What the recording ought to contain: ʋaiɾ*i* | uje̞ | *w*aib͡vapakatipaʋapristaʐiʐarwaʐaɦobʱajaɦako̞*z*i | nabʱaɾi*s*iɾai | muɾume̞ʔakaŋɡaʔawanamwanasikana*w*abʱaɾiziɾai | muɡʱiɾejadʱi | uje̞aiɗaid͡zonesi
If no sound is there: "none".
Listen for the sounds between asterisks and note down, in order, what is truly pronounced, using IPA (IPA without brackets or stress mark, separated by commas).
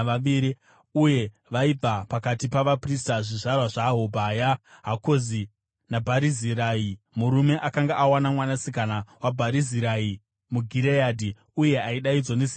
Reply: i, ʋ, z, z, w